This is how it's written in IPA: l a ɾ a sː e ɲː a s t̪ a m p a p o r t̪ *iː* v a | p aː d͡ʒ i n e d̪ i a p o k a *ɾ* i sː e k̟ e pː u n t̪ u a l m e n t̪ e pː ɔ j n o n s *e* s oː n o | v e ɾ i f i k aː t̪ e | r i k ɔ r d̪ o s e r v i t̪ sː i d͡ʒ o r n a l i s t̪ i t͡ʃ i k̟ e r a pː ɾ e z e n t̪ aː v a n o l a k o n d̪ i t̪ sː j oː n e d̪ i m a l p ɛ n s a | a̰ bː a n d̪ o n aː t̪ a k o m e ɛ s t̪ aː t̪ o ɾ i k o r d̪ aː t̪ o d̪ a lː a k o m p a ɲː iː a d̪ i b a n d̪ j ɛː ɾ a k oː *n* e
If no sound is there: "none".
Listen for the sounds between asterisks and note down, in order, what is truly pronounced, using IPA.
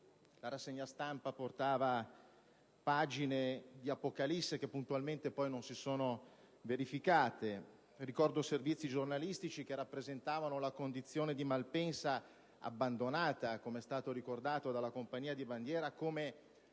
aː, l, i, m

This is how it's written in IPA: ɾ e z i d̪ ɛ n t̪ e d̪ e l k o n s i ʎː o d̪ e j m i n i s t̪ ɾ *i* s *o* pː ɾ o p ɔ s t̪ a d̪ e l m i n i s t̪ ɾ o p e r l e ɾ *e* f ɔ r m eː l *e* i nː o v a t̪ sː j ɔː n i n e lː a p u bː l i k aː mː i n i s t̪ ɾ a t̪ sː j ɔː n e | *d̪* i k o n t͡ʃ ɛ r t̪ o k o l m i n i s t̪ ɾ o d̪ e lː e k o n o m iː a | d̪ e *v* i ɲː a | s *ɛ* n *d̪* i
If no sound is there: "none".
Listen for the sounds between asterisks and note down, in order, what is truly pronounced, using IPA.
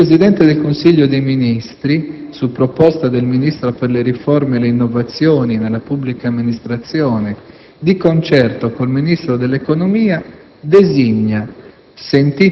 i, u, i, e, d̪, z, e, t̪

